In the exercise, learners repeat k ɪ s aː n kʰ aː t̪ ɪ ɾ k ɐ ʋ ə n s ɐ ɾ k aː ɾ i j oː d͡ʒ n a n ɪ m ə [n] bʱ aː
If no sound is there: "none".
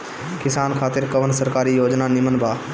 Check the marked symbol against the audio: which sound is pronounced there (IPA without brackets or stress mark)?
n